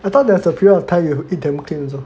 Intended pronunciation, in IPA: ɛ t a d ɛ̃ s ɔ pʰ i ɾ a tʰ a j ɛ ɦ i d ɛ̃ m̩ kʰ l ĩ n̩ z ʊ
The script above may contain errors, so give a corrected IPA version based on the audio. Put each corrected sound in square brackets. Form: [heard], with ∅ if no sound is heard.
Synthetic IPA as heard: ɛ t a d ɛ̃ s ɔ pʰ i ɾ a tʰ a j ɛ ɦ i d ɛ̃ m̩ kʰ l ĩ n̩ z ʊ